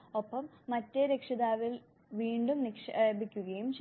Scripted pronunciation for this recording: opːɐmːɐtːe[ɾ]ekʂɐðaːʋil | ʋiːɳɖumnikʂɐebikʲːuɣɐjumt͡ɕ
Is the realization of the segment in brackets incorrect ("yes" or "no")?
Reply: no